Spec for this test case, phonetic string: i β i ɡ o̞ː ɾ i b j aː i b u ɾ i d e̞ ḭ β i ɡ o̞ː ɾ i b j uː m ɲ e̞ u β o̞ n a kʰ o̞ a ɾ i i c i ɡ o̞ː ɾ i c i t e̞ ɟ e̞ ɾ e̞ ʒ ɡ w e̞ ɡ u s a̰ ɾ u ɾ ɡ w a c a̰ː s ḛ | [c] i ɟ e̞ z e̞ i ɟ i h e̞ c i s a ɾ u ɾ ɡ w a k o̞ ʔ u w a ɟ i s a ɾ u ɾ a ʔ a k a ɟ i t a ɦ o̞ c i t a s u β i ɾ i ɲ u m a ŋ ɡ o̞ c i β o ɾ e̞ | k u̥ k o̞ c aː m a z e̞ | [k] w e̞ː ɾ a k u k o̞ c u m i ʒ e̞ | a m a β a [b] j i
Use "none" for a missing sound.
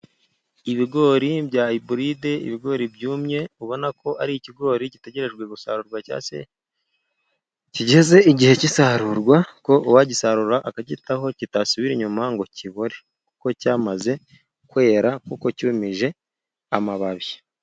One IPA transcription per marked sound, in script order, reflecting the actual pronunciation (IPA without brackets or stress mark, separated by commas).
c, k, β